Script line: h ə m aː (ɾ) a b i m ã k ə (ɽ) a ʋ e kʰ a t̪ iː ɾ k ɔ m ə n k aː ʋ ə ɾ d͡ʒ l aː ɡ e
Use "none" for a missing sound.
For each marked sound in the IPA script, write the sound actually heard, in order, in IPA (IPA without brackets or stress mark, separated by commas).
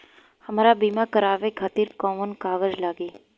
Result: ɾ, ɾ